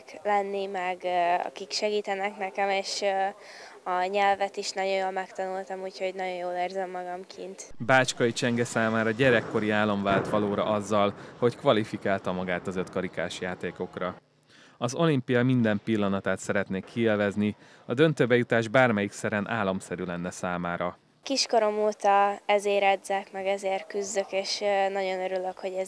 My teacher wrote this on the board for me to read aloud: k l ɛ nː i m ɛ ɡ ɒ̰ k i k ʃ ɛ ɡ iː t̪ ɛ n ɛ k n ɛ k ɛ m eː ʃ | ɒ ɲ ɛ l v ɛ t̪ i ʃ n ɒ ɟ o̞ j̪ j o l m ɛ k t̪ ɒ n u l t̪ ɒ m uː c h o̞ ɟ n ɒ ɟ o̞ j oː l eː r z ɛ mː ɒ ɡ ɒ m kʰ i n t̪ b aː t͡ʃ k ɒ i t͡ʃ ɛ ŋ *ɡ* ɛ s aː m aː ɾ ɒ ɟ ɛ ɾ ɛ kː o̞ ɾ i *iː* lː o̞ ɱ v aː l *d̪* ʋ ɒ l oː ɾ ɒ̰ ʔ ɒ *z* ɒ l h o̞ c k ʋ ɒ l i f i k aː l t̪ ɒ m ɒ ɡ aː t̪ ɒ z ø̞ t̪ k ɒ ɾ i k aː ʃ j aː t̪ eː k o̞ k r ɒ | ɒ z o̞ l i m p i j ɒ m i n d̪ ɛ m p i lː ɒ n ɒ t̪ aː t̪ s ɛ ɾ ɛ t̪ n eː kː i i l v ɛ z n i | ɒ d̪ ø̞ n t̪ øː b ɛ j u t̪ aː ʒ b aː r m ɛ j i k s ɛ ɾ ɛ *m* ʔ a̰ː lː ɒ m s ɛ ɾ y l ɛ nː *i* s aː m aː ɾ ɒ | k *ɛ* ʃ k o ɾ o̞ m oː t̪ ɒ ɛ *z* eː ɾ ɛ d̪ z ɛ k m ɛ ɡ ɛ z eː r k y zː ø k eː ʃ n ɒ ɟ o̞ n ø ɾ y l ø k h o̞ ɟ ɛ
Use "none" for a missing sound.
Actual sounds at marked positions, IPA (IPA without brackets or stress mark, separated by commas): ɡ, aː, t̪, zː, n, ɛ, i, z